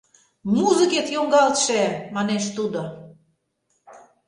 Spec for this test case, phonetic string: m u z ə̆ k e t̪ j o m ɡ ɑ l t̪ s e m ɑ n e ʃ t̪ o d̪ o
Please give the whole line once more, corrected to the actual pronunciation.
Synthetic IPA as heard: m u z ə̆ k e t̪ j o ŋ ɡ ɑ l t̪ ʃ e m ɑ n e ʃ t̪ u d̪ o